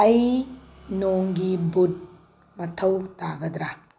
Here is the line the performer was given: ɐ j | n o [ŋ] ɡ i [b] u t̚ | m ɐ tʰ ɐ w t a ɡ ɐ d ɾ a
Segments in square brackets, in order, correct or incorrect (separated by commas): correct, correct